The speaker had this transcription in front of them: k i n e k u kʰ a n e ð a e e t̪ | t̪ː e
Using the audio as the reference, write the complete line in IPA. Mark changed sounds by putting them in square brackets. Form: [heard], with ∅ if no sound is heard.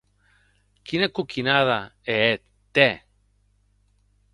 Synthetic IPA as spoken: k i n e k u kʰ [i] n [a] ð a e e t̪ | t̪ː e